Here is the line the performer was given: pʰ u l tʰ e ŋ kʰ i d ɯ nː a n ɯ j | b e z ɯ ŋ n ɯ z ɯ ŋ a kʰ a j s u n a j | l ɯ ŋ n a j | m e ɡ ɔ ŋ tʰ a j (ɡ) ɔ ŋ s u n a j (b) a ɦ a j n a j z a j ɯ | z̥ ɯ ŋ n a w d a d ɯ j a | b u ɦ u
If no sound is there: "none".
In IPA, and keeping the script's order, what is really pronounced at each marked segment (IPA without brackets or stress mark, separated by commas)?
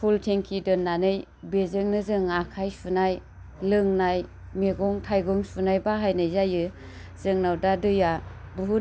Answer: ɡ, b